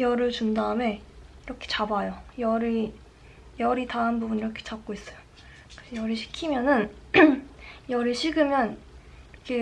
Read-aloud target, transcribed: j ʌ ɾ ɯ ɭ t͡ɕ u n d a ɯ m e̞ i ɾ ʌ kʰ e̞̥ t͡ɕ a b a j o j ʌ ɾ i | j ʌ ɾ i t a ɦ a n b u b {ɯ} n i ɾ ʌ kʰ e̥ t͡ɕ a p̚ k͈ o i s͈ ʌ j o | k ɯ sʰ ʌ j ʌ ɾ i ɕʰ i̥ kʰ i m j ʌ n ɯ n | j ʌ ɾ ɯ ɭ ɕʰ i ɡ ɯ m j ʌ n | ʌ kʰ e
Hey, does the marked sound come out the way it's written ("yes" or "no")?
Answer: no